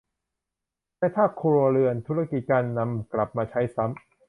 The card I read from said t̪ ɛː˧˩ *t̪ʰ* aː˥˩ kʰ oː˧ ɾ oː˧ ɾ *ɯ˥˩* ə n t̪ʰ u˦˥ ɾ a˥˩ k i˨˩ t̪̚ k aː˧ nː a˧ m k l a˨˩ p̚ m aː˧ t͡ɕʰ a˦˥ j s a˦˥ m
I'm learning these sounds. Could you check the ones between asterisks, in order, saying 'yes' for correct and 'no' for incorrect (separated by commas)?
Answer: yes, no